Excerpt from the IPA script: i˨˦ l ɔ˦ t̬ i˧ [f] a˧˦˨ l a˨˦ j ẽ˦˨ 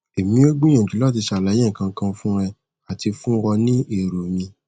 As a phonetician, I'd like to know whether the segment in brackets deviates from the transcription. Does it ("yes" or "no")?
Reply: yes